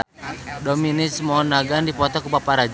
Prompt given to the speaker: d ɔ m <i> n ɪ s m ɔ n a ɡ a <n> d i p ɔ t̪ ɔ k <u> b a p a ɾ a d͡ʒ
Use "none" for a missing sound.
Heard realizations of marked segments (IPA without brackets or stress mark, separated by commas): i, n, u